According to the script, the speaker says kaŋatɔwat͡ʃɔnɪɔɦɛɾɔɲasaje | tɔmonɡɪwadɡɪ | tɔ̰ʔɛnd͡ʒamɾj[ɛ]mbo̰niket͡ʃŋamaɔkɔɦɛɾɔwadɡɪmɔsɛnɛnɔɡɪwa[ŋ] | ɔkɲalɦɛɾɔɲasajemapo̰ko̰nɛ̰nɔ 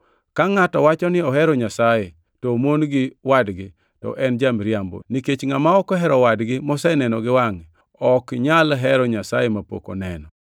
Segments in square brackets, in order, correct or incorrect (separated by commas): incorrect, correct